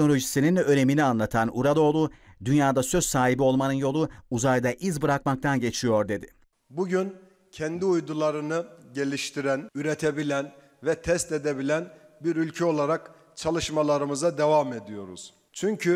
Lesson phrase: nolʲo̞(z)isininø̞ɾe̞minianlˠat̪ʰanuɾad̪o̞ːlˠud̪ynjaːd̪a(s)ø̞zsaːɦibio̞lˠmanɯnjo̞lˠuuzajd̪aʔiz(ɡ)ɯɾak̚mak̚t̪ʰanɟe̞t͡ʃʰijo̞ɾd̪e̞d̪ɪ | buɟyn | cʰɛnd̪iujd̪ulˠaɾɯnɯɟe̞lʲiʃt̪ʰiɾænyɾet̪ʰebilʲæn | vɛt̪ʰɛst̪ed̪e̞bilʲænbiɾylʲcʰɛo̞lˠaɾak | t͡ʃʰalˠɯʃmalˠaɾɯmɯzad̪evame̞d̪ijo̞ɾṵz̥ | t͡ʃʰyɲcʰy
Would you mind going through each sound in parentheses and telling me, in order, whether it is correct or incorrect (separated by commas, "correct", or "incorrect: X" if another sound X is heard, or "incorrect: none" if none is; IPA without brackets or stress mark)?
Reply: incorrect: ʒ, correct, incorrect: b